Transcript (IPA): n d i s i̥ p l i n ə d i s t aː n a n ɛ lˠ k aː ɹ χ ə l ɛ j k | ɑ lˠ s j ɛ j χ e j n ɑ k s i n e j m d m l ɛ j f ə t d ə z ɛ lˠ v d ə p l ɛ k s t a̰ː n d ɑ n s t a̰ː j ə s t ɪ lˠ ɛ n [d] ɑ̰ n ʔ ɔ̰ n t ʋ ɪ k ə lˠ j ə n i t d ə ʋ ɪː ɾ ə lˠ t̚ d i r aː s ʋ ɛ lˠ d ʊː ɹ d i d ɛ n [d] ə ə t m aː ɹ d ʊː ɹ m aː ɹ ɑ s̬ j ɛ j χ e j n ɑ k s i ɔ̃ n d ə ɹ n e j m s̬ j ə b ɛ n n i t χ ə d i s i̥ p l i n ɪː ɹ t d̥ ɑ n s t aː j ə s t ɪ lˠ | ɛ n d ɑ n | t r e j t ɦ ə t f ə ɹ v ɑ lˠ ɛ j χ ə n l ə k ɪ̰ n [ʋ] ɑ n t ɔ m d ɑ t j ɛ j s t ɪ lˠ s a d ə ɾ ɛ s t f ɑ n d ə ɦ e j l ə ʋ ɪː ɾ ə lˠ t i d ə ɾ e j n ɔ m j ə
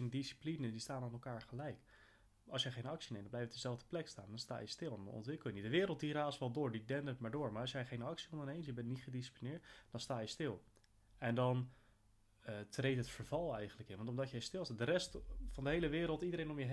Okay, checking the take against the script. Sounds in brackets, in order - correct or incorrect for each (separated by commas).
correct, correct, correct